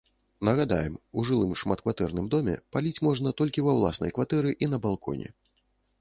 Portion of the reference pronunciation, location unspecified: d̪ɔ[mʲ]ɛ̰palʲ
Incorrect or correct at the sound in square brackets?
correct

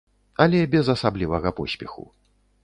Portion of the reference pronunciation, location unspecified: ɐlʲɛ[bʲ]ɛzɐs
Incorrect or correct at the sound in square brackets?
correct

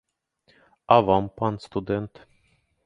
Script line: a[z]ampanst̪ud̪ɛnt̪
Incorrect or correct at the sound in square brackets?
incorrect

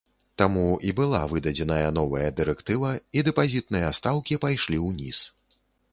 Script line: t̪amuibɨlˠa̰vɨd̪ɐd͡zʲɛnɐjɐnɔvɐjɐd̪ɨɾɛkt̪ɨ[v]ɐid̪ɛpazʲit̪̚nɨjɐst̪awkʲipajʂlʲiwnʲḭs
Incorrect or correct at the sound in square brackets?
correct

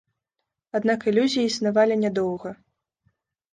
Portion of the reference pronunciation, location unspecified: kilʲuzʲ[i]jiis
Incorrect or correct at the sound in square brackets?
correct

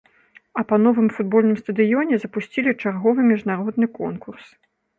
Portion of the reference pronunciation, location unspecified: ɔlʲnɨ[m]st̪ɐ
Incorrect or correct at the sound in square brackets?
correct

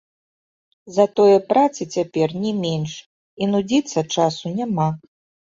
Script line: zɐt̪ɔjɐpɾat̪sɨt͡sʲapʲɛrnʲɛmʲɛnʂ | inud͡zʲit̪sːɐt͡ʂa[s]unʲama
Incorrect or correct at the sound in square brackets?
correct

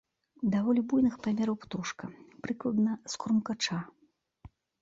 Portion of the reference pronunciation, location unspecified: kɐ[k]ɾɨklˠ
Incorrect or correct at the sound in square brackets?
incorrect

